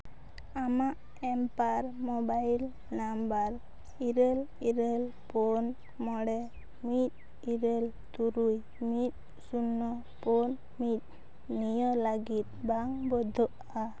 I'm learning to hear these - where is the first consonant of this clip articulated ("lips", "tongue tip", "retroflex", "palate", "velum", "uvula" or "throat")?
lips